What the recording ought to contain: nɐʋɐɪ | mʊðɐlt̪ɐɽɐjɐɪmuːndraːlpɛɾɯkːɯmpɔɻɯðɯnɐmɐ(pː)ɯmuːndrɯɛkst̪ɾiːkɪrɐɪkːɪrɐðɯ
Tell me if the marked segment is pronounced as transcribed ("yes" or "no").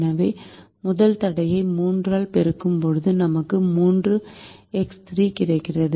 no